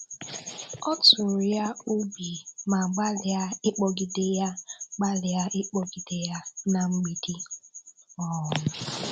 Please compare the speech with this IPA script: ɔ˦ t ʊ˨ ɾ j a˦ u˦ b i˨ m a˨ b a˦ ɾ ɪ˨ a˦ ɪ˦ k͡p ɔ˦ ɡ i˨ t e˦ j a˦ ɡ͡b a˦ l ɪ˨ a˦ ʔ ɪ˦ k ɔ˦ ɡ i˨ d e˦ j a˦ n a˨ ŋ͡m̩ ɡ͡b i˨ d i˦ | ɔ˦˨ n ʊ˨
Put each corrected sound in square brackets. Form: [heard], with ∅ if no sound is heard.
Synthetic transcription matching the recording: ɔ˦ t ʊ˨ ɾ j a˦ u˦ b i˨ m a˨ [ɡ͡b] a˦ [l] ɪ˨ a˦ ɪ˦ k͡p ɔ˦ ɡ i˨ [d] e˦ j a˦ ɡ͡b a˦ l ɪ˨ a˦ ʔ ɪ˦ [k͡p] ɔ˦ ɡ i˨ d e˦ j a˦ n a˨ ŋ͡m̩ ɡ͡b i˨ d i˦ | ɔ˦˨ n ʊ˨